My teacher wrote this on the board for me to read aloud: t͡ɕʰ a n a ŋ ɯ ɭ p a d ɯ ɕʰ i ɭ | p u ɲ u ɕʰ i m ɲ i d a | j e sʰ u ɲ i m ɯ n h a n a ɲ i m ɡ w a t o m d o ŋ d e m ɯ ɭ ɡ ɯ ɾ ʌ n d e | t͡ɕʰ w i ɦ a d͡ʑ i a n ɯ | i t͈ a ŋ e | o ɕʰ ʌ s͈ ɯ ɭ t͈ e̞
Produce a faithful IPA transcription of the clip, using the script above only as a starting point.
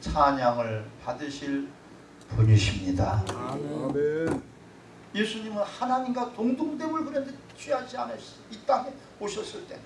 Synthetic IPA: t͡ɕʰ a ɲ a ŋ ɯ ɭ p a d ɯ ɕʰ i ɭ | p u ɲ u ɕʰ i m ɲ i d a | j e sʰ u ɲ i m ɯ n h a n a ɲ i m ɡ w a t o ŋ d o ŋ d e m ɯ ɭ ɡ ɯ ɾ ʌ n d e | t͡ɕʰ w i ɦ a d͡ʑ i a n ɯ | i t͈ a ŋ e | o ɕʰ ʌ s͈ ɯ ɭ t͈ e̞

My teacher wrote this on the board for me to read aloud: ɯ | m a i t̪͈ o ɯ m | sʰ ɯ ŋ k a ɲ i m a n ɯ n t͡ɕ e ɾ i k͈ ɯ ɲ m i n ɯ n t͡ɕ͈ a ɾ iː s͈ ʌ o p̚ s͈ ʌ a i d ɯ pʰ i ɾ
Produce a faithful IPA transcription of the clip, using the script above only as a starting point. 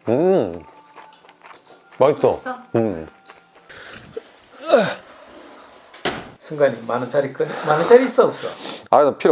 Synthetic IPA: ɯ | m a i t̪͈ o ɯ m | sʰ ɯ ŋ ɡ a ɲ i m a n ɯ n t͡ɕ a ɾ i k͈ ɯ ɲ m a n ɯ n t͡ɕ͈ a ɾ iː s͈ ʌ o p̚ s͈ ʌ a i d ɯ pʰ i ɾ

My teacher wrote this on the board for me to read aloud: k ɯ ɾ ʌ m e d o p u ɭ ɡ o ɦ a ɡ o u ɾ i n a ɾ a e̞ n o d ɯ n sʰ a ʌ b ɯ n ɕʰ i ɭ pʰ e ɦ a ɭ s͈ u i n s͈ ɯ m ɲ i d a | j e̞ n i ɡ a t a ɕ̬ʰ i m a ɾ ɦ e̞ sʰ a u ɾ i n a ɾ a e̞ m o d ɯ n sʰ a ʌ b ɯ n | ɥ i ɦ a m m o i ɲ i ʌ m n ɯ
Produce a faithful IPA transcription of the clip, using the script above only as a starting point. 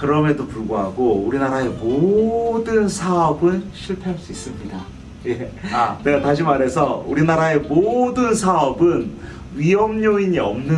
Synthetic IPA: k ɯ ɾ ʌ m e d o p u ɭ ɡ o ɦ a ɡ o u ɾ i n a ɾ a e̞ m o d ɯ n sʰ a ʌ b ɯ n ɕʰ i ɭ pʰ e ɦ a ɭ s͈ u i s͈ ɯ m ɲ i d a | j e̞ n e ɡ a t a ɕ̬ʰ i m a ɾ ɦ e̞ sʰ ʌ u ɾ i n a ɾ a e̞ m o d ɯ n sʰ a ʌ b ɯ n | ɥ i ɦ ʌ m ɲ o i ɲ i ʌ m n ɯ

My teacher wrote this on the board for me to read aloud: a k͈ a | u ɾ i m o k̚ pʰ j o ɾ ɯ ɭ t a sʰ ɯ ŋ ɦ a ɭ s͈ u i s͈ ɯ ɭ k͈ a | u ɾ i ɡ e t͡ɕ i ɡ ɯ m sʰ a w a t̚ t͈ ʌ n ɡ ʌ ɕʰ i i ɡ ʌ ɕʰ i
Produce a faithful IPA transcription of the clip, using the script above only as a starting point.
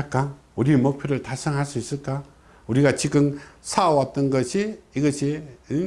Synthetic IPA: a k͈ a | u ɾ i m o k̚ pʰ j o ɾ ɯ ɭ t a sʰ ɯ ŋ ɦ a ɭ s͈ u i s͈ ɯ ɭ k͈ a | u ɾ i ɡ a t͡ɕ i ɡ ɯ m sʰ a w a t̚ t͈ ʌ n ɡ ʌ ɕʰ i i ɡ ʌ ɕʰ i

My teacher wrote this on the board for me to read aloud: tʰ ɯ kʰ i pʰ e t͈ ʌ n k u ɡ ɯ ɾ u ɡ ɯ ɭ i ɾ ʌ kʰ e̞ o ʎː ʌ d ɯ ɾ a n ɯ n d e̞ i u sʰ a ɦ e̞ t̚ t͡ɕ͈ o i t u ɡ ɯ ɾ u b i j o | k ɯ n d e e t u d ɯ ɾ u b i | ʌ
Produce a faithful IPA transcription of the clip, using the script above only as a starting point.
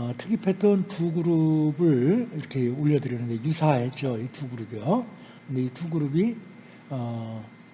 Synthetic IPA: tʰ ɯ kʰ i pʰ e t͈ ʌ n t u ɡ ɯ ɾ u b ɯ ɭ i ɾ ʌ kʰ e̞ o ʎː ʌ d ɯ ɾ ʌ n ɯ n d e̞ j u sʰ a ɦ e̞ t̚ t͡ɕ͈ o i t u ɡ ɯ ɾ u b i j o | k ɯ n d e i t u ɡ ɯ ɾ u b i | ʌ

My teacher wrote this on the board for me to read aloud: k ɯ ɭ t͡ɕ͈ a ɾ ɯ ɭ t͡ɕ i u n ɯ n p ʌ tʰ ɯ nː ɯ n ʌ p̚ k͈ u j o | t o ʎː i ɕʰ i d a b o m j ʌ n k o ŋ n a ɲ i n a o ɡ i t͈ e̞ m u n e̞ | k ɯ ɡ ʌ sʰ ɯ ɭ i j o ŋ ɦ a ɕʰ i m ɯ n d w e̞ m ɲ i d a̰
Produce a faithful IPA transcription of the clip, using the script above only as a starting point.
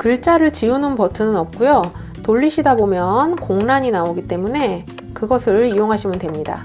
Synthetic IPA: k ɯ ɭ t͡ɕ͈ a ɾ ɯ ɭ t͡ɕ i u n ɯ n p ʌ tʰ ɯ n ɯ n ʌ p̚ k͈ u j o | t o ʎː i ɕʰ i d a b o m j ʌ n k o ŋ n a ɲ i n a o ɡ i t͈ e̞ m u n e̞ | k ɯ ɡ ʌ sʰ ɯ ɭ i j o ŋ ɦ a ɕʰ i m ɯ n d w e̞ m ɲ i d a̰

